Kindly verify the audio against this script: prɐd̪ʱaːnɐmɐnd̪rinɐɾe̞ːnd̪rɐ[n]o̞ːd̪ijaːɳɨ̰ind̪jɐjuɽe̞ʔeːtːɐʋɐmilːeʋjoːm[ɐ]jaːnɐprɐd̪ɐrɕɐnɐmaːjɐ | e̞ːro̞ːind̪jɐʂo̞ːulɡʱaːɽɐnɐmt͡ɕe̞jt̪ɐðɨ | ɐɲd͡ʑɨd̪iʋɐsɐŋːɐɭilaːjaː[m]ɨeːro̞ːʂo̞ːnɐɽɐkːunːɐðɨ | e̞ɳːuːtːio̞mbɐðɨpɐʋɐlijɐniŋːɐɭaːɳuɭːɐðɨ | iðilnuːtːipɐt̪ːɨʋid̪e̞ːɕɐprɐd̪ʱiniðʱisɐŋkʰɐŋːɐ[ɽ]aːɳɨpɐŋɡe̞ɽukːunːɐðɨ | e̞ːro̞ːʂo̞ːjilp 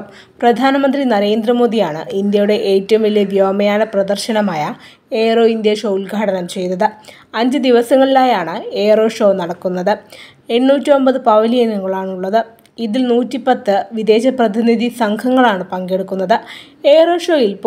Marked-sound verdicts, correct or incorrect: incorrect, correct, incorrect, incorrect

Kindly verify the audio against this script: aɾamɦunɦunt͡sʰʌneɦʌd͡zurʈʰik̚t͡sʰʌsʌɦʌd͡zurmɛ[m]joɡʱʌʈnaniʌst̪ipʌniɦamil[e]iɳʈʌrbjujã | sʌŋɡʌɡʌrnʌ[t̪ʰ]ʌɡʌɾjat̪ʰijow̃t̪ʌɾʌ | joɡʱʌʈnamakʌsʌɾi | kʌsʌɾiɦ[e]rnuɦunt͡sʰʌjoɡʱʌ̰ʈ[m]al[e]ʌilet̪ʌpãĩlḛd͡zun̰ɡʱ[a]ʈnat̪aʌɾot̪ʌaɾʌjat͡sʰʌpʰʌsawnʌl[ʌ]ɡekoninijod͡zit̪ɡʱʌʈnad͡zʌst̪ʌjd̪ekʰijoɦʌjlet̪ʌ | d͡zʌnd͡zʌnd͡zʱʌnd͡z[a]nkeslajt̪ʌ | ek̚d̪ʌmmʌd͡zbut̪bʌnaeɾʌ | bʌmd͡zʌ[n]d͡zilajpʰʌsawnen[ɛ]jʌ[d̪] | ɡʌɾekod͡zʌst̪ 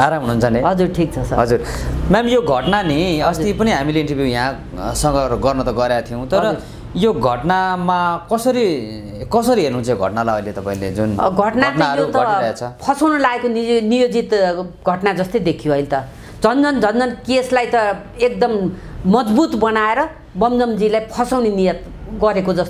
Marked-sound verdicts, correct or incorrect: correct, correct, incorrect, correct, incorrect, incorrect, incorrect, incorrect, incorrect, incorrect, incorrect, incorrect

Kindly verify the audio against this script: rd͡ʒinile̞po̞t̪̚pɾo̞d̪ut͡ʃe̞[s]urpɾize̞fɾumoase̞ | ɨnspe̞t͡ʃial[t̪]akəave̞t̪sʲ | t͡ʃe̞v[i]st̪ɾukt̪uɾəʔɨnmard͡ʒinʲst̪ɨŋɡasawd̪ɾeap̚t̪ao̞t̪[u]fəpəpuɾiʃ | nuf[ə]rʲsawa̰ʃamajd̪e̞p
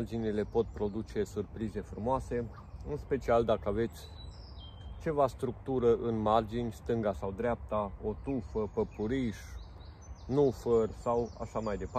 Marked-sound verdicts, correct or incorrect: correct, incorrect, incorrect, correct, correct

